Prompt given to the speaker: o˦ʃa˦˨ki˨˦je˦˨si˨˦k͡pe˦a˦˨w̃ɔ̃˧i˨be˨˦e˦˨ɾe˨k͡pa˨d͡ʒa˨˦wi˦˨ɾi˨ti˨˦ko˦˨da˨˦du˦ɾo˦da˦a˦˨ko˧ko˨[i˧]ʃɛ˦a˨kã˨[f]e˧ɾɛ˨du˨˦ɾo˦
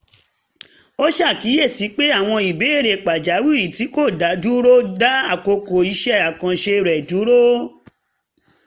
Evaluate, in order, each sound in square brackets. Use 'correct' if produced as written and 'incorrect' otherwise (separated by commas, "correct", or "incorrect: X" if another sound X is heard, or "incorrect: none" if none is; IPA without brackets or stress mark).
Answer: correct, incorrect: ʃ